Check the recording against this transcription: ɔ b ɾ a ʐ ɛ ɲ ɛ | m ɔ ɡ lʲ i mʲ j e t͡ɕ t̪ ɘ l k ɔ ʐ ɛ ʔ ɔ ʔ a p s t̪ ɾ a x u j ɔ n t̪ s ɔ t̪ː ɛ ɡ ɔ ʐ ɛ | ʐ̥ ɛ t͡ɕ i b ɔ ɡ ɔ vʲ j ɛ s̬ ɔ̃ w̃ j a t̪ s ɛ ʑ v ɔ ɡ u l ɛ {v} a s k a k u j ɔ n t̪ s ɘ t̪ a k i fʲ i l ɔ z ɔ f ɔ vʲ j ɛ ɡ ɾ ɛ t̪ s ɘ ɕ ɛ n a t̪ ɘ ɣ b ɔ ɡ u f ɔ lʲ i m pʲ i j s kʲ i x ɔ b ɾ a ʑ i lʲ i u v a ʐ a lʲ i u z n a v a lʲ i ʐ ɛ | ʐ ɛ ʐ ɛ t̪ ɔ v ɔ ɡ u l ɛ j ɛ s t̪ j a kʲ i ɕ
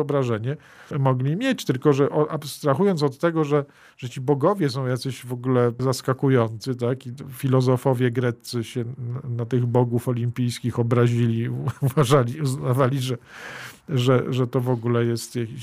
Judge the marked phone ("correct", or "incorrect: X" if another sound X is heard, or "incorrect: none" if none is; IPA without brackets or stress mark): incorrect: z